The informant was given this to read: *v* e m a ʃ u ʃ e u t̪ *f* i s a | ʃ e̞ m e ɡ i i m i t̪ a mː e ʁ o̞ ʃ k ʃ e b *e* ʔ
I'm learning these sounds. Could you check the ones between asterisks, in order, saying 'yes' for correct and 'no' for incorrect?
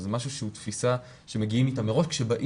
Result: no, yes, no

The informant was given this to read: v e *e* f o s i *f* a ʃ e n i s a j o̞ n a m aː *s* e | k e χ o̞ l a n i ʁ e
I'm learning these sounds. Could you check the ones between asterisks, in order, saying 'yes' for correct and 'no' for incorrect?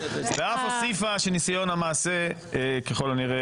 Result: no, yes, yes

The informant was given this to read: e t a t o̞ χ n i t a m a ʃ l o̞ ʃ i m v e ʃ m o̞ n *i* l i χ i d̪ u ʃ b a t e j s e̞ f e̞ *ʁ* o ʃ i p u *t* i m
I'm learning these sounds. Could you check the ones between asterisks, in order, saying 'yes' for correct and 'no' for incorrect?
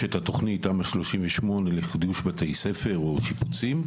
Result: no, yes, no

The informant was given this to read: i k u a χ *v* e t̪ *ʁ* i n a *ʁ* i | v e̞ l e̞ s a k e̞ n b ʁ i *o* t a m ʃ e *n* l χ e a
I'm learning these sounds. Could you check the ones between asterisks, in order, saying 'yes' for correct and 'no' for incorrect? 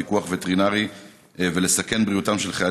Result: yes, yes, yes, no, no

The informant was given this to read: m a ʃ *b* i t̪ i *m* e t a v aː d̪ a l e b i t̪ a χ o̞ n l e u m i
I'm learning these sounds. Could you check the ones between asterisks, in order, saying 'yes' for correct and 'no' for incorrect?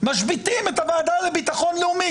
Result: yes, yes

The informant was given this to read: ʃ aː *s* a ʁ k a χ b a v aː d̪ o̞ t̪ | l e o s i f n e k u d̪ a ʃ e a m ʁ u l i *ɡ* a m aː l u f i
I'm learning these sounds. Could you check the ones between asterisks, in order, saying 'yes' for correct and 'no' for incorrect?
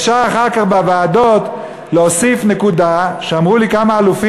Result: no, no

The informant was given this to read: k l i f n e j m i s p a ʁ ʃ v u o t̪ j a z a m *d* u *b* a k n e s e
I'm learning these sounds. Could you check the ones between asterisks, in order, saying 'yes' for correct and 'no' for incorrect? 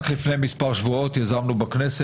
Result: no, yes

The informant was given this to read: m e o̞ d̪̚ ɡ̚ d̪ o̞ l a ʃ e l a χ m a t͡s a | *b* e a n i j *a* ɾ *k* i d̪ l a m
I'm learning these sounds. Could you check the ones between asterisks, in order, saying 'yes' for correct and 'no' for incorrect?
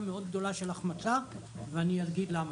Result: no, yes, no

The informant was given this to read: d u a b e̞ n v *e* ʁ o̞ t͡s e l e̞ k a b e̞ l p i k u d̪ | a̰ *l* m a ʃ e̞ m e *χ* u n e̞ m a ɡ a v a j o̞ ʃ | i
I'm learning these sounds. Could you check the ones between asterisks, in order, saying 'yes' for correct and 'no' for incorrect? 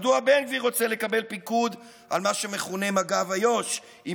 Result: no, yes, yes

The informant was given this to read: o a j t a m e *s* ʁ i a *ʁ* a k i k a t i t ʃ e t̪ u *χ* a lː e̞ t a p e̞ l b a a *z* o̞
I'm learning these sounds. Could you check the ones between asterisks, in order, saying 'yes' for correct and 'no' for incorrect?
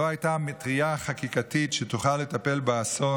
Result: no, no, yes, no

